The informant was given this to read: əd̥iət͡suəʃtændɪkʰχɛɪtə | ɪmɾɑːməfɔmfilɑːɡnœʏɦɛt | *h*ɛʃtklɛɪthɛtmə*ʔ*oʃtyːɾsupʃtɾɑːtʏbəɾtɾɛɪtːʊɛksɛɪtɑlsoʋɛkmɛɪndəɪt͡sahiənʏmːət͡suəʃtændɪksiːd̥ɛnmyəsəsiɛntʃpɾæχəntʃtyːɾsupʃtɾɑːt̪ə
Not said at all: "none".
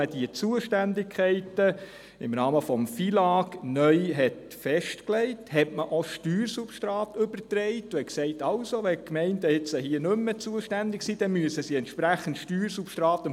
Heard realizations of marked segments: f, ʔ

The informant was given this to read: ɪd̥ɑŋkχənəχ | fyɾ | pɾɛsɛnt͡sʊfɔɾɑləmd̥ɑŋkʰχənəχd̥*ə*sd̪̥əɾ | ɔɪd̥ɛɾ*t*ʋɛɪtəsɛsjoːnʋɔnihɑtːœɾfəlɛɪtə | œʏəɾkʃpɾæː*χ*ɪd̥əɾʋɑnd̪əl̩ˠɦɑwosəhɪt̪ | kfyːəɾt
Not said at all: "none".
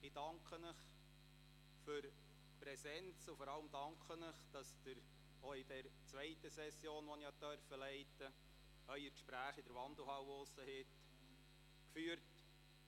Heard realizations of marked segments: ɑ, t͡s, χ

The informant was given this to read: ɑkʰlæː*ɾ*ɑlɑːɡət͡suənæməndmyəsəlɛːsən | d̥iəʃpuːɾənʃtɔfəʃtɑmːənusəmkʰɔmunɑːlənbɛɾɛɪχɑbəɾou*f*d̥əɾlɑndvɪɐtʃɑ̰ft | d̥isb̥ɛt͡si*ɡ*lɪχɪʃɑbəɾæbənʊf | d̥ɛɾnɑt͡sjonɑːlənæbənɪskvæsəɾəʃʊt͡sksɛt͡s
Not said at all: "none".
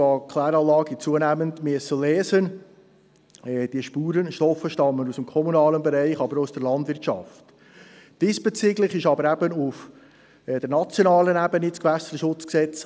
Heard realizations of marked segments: ɾ, s, ɡ

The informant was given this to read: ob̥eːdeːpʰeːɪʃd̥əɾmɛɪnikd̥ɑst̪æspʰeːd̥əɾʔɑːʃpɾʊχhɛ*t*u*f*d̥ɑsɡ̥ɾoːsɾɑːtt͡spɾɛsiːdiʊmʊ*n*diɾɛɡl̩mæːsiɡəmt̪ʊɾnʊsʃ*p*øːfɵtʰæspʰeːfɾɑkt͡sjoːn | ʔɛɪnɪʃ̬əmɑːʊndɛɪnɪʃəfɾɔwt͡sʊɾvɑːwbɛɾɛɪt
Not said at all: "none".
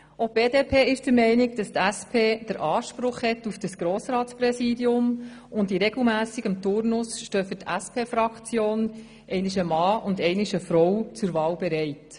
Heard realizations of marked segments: t, f, n, t

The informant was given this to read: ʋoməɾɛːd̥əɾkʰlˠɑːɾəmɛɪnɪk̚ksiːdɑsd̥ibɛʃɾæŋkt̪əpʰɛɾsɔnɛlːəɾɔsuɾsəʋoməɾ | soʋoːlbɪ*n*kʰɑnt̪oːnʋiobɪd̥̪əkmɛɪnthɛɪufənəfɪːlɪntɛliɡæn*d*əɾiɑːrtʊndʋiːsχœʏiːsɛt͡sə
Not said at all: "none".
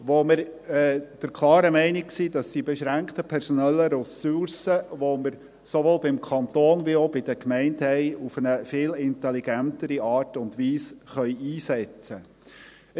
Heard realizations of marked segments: m, t

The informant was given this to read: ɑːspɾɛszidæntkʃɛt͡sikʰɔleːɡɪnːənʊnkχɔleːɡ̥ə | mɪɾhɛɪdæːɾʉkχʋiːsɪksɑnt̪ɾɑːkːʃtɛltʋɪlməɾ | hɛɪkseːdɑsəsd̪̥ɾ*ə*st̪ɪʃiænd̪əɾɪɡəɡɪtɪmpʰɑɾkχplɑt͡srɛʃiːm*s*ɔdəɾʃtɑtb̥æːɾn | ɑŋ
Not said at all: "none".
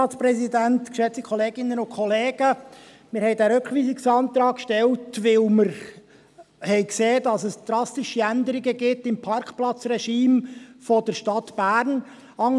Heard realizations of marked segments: ɑ, f

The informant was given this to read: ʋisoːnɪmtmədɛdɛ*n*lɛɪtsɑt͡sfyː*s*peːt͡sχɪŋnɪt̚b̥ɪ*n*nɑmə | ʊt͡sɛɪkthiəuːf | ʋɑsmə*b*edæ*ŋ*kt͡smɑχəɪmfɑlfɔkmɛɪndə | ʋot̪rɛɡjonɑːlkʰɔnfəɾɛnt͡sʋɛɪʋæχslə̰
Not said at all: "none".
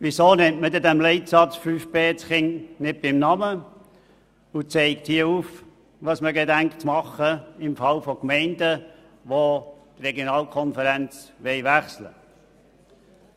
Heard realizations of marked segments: m, f, m, ɡ, ŋ

